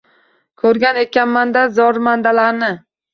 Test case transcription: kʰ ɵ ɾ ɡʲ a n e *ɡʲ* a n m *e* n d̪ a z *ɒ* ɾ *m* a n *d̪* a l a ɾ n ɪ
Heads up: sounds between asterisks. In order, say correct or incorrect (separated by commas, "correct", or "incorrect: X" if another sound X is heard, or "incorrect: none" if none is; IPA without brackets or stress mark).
incorrect: kʲ, incorrect: a, correct, correct, correct